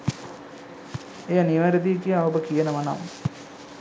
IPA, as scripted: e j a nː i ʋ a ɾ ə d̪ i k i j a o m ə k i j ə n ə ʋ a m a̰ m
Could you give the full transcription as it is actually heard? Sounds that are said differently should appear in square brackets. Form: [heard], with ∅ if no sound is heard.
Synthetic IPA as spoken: e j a [n] i ʋ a ɾ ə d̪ i k i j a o [b] ə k i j ə n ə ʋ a [n] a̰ m